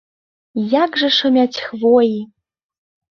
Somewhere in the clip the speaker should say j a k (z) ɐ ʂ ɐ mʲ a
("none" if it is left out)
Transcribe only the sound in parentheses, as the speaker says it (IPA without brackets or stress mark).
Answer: ʐ